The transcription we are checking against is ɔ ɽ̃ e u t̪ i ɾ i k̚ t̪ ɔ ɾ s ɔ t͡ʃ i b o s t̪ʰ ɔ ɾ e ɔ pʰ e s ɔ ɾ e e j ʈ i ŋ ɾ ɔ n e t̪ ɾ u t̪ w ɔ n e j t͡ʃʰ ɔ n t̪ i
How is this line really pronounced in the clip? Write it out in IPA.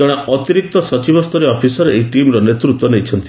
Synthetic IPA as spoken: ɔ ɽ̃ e ɔ t̪ i ɾ i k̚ t̪ ɔ s ɔ t͡ʃ i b ɔ s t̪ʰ ɔ ɾ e ɔ pʰ i s ɔ ɾ e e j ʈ i m ɾ ɔ n e t̪ ɾ u t̪ w ɔ n e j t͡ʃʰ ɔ n t̪ i